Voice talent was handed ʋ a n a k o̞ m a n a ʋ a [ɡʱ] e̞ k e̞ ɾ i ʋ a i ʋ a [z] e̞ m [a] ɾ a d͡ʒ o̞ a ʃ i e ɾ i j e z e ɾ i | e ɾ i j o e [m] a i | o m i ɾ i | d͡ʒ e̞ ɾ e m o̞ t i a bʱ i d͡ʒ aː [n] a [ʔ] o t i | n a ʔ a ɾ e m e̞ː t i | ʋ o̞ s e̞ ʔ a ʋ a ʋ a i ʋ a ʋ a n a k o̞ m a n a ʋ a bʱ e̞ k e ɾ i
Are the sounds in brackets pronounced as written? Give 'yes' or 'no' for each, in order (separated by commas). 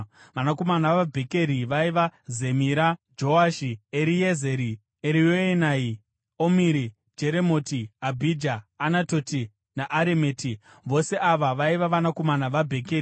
no, yes, no, no, yes, no